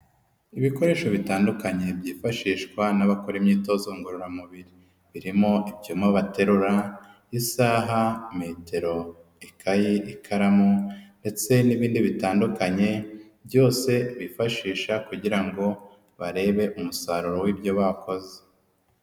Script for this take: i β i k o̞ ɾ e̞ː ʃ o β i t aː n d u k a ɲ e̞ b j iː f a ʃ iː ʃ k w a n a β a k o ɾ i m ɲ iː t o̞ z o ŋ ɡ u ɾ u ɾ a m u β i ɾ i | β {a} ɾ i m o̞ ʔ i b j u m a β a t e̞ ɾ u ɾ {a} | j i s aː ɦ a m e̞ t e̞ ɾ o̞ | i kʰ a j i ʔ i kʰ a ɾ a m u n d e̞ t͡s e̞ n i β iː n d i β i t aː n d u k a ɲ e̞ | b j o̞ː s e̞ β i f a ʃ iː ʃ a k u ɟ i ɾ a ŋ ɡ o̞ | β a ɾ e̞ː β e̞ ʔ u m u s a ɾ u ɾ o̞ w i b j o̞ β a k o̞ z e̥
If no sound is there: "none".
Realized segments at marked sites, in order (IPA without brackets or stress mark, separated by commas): i, a